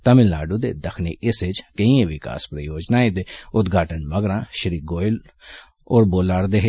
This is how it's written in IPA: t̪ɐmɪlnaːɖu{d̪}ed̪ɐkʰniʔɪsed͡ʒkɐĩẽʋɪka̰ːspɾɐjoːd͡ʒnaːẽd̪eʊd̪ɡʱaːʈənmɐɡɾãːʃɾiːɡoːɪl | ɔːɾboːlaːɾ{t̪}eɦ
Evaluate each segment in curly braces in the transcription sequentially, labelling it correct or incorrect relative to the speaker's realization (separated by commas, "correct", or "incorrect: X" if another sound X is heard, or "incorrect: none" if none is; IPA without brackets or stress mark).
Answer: correct, incorrect: d̪